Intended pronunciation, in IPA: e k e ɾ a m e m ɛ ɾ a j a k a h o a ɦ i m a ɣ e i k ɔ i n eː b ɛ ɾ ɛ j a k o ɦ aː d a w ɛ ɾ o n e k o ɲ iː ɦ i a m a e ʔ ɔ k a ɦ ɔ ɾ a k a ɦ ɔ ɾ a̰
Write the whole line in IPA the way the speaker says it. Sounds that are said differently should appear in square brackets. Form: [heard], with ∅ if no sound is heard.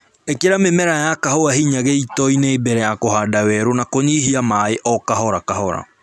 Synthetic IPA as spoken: e k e ɾ a m e m ɛ ɾ a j a k a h o a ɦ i [ɲ] a ɣ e i [t] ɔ i n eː b ɛ ɾ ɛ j a k o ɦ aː d a w ɛ ɾ o n [a] k o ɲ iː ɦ i a m a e ʔ ɔ k a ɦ ɔ ɾ a k a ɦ ɔ ɾ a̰

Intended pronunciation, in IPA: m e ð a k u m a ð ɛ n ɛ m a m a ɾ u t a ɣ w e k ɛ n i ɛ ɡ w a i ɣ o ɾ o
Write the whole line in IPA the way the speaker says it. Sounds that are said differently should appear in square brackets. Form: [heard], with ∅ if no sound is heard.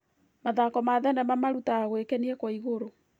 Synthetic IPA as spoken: m [a] ð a k [ɔ] m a ð ɛ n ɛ m a m a ɾ u t a ɣ w e k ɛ n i ɛ [k] w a i ɣ o ɾ o

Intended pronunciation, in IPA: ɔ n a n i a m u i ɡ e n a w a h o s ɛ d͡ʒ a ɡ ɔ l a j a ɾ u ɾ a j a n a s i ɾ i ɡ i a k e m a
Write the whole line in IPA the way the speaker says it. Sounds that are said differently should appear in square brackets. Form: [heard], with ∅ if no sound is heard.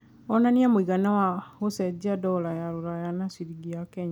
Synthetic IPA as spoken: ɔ n a n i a m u i ɡ [a] n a w a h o s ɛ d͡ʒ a [d] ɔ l a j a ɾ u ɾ a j a n a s i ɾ i ɡ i a k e [ɲ] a

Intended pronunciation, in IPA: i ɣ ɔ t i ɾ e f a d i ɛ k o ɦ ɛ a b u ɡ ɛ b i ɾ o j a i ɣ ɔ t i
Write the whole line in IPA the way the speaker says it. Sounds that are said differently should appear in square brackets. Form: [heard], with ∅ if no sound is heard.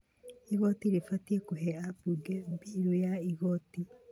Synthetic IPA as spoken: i ɣ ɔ t i ɾ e f a [t] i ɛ k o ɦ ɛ a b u ɡ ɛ b i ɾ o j a i ɣ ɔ t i

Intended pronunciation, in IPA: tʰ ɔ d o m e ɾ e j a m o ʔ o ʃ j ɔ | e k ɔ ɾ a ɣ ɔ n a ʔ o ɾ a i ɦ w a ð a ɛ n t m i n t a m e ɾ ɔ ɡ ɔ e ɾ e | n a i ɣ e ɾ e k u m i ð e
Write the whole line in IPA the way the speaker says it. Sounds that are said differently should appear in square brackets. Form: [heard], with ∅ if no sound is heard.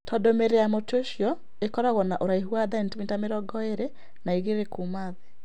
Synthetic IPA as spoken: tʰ ɔ d o m e ɾ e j a m o [t] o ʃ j ɔ | e k ɔ ɾ a ɣ ɔ n a ʔ o ɾ a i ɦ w a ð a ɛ n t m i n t a m e ɾ ɔ ɡ ɔ e ɾ e | n a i ɣ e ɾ e k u m [a] ð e

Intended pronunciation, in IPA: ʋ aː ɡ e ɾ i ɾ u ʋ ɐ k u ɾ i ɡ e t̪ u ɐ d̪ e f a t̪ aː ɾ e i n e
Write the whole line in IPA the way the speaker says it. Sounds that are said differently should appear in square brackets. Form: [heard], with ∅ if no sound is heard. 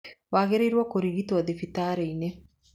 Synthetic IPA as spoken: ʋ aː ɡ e ɾ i ɾ u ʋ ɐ k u ɾ i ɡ [i] t̪ u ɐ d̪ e f [i] t̪ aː ɾ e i n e

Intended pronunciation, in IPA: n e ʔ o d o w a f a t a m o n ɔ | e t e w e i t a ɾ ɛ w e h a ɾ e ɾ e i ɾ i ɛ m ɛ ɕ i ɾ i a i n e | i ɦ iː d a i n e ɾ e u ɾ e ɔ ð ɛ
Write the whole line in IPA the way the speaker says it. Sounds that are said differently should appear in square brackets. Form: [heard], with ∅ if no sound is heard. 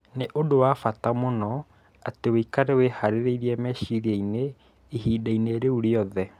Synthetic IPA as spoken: n e ʔ o d o w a f a t a m o n ɔ | [a] t e w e i [k] a ɾ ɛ w e h a ɾ e ɾ e i ɾ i ɛ m ɛ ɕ i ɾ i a i n e | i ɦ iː d a i n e ɾ e u ɾ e ɔ ð ɛ

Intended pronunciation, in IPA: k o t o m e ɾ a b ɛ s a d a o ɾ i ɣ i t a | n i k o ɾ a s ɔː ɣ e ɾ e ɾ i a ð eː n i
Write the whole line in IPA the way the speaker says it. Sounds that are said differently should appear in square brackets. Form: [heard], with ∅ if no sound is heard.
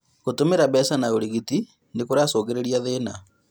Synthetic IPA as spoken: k o t o m e ɾ a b ɛ s a [n] a o ɾ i ɣ i t [i] | n [e] k o ɾ a s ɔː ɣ e ɾ e ɾ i a ð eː n [a]

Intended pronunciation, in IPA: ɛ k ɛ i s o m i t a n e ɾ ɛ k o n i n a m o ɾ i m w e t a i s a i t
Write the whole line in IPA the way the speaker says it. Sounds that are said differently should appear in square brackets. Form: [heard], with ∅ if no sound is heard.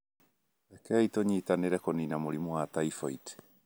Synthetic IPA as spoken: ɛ k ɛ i [t] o [ɲ] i t a n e ɾ ɛ k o n i n a m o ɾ i m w [a] t a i [f] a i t

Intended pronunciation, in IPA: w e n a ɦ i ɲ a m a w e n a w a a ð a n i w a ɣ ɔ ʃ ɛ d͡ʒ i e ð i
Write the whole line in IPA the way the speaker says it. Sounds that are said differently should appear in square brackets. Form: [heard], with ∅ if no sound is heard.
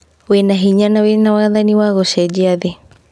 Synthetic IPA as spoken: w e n a ɦ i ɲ a [n] a w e n a w a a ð a n i w a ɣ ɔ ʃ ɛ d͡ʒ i [a] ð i

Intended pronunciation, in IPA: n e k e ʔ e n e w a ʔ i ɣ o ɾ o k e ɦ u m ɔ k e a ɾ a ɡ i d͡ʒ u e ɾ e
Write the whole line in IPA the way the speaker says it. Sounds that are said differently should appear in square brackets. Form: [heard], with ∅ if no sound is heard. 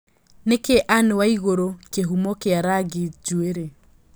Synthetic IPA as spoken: n e k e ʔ [a] n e w a [∅] i ɣ o ɾ o k e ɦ u m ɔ k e a ɾ a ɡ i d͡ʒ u e ɾ e

